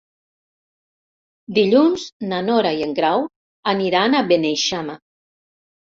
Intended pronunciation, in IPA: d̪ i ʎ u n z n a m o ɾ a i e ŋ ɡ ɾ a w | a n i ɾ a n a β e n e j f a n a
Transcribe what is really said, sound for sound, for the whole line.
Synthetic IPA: d̪ i ʎ u n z n a n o ɾ a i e ŋ ɡ ɾ a w | a n i ɾ a n a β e n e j ʃ a m a